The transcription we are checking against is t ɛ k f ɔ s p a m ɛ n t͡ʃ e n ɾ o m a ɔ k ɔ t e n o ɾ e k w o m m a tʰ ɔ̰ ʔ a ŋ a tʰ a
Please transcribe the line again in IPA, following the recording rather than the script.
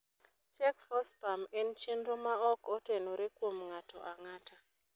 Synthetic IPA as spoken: t͡ʃ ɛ k f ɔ s p a m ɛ n t͡ʃ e n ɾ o m a ɔ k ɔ t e n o ɾ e k w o m ŋ a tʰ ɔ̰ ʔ a ŋ a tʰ a